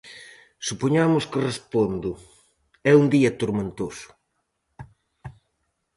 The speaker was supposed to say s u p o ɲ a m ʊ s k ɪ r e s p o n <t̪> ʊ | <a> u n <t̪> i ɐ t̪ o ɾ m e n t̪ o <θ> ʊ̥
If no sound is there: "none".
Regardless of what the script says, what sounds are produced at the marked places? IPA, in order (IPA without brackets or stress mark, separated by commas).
d̪, ɛ, d̪, s